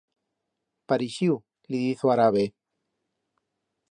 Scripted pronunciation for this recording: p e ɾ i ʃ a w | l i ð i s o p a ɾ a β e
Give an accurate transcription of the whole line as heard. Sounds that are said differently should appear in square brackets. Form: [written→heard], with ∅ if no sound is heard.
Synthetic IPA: p [e→a] ɾ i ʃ [a→i] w | l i ð i [s→θ] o [p→∅] a ɾ a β e